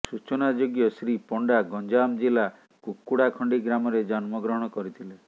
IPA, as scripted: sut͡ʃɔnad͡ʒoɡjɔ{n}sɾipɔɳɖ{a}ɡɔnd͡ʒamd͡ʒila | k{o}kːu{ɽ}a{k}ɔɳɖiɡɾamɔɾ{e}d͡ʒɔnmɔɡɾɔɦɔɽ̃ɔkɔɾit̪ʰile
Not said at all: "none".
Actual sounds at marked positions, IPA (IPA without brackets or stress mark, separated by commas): none, a, u, ɽ, kʰ, e